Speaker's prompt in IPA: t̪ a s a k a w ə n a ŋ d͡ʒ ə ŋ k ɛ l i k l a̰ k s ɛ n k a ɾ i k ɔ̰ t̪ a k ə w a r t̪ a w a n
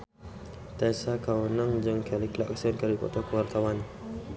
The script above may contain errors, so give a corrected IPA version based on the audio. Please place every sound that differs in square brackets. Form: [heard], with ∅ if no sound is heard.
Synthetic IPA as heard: t̪ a s a k a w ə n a ŋ d͡ʒ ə ŋ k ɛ l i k l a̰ k s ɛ n k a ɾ i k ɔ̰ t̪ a k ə w a r t̪ a w a n